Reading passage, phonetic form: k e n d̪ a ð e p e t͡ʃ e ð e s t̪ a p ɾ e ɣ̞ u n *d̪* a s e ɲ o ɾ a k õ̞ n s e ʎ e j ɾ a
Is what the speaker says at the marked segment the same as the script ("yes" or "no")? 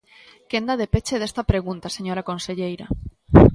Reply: no